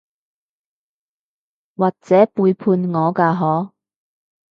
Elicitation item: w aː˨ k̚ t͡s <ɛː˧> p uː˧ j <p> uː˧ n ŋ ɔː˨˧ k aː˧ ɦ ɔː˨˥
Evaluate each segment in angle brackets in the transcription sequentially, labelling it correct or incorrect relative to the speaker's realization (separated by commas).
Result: incorrect, incorrect